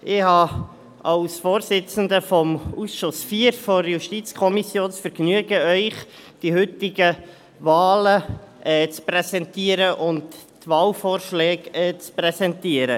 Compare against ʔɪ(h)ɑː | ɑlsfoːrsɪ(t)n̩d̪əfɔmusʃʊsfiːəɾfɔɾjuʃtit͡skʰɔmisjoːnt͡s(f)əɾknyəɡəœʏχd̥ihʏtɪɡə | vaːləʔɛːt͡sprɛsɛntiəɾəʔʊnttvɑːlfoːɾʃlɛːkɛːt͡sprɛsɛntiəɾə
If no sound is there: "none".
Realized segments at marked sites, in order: h, t͡s, f

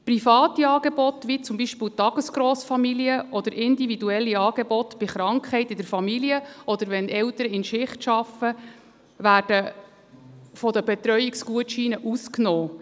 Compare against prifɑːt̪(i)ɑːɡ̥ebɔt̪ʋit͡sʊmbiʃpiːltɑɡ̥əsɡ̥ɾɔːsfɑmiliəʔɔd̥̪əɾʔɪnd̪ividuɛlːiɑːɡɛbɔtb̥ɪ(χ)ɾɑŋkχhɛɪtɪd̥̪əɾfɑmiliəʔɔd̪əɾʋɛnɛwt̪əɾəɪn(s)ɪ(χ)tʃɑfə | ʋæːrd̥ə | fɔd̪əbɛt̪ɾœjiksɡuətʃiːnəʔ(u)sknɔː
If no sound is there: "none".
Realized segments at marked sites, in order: i, χ, ʃ, χ, u

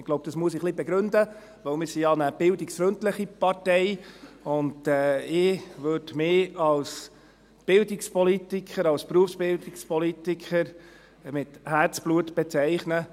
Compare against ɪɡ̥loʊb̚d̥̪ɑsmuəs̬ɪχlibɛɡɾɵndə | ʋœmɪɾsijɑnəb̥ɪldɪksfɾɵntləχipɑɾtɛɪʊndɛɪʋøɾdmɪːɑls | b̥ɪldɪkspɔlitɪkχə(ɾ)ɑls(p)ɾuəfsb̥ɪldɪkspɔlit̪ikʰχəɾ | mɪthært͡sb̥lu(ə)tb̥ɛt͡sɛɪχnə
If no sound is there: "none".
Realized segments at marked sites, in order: ɾ, p, ə

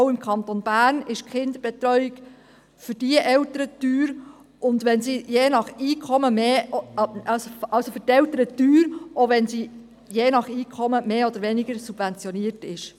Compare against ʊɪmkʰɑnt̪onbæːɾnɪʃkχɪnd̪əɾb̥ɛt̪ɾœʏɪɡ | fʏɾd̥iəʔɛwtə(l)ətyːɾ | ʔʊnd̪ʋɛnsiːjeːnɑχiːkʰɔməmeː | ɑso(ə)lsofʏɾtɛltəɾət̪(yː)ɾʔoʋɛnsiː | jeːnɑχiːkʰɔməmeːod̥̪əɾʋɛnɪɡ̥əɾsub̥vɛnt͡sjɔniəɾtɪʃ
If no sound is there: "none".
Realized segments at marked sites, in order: ɾ, ɑ, yː

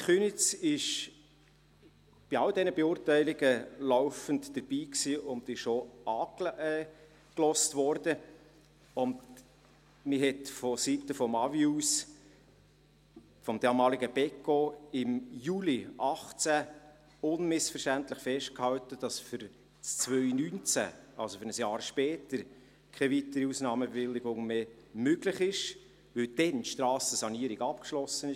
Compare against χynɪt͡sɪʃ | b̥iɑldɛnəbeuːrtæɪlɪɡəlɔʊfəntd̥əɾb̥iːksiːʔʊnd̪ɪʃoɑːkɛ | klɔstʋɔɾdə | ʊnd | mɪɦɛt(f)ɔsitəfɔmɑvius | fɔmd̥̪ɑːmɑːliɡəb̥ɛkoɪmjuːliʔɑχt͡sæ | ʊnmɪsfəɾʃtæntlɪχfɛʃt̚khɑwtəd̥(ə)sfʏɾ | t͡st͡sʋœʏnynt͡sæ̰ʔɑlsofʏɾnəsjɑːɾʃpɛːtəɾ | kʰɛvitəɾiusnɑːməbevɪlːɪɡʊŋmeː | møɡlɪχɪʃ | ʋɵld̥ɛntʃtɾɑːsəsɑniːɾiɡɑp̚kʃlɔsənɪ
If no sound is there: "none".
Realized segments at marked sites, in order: f, ɑ

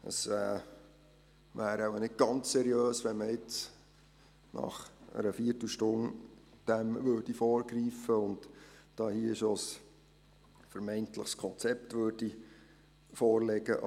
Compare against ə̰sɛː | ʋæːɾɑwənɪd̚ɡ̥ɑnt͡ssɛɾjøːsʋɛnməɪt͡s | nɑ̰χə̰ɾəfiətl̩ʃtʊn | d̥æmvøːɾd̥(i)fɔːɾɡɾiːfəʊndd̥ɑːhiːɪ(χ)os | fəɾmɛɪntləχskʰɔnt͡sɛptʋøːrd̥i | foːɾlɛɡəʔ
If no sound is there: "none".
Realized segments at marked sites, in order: i, ʃ

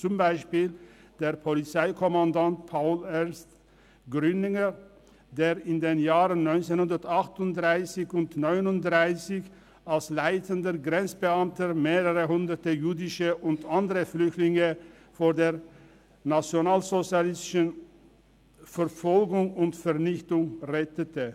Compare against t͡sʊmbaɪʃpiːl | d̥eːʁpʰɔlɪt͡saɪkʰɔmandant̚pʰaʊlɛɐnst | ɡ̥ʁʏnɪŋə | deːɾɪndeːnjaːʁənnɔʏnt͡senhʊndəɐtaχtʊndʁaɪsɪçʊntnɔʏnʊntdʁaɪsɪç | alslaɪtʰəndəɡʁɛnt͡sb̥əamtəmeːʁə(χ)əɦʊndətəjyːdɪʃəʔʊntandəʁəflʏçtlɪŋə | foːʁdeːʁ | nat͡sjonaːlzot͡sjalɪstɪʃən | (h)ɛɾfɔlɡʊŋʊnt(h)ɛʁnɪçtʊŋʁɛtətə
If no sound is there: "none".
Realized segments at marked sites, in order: ʁ, f, f

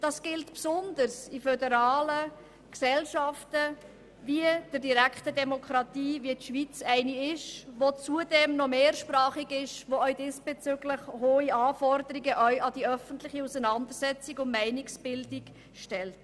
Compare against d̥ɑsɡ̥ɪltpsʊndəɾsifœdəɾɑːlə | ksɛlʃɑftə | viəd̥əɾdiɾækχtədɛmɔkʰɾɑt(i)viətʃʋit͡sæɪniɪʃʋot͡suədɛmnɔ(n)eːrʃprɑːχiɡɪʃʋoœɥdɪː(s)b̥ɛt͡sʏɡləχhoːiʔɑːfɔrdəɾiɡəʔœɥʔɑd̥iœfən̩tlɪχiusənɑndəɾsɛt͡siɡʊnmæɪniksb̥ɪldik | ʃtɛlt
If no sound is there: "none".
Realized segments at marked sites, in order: iː, m, s

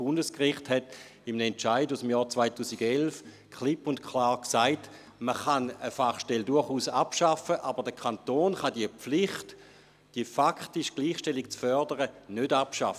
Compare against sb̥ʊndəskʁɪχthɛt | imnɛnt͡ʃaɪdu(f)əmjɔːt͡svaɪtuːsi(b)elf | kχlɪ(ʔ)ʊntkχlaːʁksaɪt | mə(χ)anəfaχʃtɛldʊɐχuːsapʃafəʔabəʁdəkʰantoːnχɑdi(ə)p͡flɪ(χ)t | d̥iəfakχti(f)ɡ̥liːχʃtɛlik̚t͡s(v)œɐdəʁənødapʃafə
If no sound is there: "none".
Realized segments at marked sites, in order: s, ɡ, p, χ, ə, χ, ʃ, f

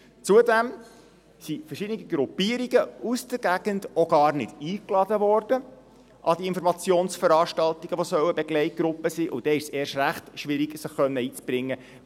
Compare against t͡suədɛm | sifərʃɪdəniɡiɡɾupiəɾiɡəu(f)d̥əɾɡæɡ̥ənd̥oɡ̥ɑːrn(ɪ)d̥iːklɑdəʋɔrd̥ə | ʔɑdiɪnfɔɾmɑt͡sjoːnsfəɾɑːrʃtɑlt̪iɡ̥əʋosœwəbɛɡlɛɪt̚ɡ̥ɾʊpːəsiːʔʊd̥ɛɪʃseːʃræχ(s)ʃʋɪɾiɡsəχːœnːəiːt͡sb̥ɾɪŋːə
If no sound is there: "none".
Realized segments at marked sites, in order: s, ɪ, t

